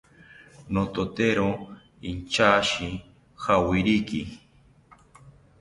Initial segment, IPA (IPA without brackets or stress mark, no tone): n